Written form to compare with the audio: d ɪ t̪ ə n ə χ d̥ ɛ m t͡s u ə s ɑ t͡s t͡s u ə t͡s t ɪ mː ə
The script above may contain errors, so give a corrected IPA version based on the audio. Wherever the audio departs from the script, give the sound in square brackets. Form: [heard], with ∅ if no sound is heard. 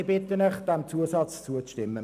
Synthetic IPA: [b] ɪ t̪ ə n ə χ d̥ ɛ m t͡s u ə s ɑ t͡s t͡s u ə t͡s t ɪ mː ə

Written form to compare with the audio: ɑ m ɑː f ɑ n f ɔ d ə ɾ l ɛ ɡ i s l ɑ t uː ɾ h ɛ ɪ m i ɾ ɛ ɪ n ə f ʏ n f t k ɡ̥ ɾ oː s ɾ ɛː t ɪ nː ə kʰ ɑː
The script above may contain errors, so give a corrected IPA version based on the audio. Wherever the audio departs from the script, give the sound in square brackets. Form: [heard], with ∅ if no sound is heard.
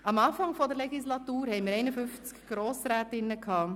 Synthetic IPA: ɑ m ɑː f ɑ [ŋ] f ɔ d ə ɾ l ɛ ɡ i s l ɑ t uː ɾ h ɛ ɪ m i ɾ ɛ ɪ n ə f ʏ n f [t͡s] k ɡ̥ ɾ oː s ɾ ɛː t ɪ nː ə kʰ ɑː

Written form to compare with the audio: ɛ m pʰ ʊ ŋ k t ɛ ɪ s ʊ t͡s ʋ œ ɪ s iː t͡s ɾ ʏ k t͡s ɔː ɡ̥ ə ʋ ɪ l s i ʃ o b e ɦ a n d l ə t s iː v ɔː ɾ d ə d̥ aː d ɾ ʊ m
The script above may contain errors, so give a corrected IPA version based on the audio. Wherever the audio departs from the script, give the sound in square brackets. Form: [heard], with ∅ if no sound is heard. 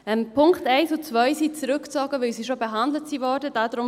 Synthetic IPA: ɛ m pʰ ʊ ŋ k t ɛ ɪ s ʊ t͡s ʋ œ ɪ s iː t͡s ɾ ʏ k t͡s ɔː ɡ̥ ə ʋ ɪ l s i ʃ o b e ɦ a n d l ə t s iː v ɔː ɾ d ə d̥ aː d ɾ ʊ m

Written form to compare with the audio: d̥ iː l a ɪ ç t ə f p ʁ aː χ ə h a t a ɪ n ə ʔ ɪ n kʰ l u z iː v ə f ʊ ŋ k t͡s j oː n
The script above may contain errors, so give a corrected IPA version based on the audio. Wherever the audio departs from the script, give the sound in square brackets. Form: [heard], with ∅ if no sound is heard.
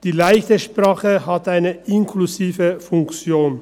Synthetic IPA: d̥ iː l a ɪ ç t ə [ʃ] p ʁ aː χ ə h a t a ɪ n ə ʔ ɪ n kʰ l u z iː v ə f ʊ ŋ k t͡s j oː n

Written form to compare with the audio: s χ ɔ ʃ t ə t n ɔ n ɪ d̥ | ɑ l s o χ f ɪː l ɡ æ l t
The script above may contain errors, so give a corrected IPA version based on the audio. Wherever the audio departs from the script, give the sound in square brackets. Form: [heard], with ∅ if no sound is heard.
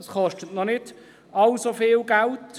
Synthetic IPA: s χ ɔ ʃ t ə t n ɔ n ɪ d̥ | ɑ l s o [∅] f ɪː l ɡ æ l t

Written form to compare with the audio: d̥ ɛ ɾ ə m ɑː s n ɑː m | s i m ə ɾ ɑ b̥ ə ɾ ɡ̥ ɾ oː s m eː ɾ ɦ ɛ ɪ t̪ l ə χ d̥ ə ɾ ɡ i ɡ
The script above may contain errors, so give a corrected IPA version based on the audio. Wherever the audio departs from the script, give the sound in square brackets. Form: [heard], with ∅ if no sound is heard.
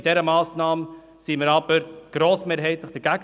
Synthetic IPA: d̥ ɛ ɾ ə m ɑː s n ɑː m | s i m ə ɾ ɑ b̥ ə ɾ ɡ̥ ɾ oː s m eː ɾ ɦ ɛ ɪ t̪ l ə χ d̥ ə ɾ ɡ [æ] ɡ

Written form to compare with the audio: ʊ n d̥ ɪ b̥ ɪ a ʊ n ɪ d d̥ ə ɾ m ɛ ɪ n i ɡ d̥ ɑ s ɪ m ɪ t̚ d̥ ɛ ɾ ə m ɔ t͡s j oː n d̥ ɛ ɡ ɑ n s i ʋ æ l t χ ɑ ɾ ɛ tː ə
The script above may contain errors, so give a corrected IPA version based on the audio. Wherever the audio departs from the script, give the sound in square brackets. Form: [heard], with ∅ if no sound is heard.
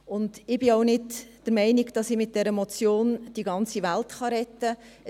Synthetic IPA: ʊ n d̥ ɪ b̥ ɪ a ʊ n ɪ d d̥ ə ɾ m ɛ ɪ n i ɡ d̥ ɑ s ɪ m ɪ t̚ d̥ ɛ ɾ ə m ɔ t͡s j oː n d̥ [i] ɡ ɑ n [t͡s] i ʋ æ l t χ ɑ ɾ ɛ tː ə

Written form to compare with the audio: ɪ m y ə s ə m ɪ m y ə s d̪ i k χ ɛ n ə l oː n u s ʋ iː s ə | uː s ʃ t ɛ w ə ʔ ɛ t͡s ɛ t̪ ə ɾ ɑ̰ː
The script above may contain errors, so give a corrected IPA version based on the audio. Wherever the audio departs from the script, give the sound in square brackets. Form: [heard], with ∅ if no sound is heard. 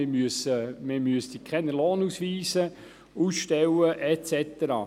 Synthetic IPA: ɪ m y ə s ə m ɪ m y ə s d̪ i k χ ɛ n ə l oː n u s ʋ iː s ə | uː s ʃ t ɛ w ə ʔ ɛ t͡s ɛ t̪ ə ɾ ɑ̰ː

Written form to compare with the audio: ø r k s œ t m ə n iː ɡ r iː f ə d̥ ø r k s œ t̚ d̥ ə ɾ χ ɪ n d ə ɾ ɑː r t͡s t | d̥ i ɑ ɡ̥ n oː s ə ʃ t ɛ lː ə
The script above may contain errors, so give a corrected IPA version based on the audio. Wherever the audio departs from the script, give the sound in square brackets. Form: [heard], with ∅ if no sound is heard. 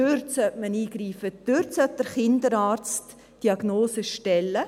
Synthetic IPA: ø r [t] s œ t m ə n iː ɡ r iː f ə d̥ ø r [t] s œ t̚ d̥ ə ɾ χ ɪ n d ə ɾ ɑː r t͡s t | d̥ i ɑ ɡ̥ n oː s ə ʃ t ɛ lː ə

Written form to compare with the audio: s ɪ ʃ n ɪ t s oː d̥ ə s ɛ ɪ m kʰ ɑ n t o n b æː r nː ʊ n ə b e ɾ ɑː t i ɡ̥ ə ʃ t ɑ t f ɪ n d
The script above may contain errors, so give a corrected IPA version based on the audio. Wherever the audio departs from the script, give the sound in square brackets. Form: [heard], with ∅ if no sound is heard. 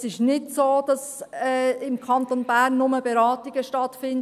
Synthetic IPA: s ɪ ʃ n ɪ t s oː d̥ [ɑ] s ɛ ɪ m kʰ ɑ n t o n b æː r nː ʊ [m] ə b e ɾ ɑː t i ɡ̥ ə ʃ t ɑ t f ɪ n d

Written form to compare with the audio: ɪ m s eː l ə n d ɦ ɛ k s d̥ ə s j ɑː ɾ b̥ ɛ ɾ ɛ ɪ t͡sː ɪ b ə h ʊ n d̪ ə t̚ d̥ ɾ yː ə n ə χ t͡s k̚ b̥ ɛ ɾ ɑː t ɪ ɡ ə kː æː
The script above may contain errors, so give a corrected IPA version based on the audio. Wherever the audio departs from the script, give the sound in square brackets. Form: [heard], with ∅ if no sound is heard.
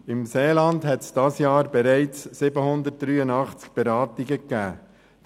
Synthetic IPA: ɪ m s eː l [ɑ] n d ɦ ɛ [t] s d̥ [ɑ] s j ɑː ɾ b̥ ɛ ɾ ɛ ɪ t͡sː ɪ b ə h ʊ n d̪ ə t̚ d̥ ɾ yː ə n [ɑ] χ t͡s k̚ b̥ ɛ ɾ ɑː t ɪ ɡ ə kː æː

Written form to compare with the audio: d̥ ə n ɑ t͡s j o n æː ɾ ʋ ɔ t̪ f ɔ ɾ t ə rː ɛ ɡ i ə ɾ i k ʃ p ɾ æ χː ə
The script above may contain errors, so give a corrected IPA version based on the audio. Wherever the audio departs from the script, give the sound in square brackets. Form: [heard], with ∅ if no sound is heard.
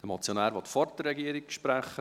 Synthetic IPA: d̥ ə [m] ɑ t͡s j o n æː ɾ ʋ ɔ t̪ f ɔ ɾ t ə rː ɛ ɡ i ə ɾ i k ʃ p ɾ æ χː ə

